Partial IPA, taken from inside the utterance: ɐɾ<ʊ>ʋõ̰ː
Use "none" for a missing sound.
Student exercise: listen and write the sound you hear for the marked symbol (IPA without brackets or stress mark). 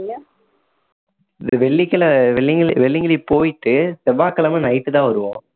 ɯ